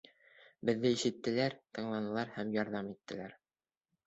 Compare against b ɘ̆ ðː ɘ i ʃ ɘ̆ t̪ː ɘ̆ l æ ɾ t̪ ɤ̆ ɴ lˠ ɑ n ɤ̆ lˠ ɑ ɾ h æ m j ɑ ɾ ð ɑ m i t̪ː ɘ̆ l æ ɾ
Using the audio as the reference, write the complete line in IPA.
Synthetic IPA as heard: b ɘ̆ ðː ɘ i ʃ ɘ̆ t̪ː ɘ̆ l æ ɾ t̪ ɤ̆ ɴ lˠ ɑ n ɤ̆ lˠ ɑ ɾ h æ m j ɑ ɾ ð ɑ m i t̪ː ɘ̆ l æ ɾ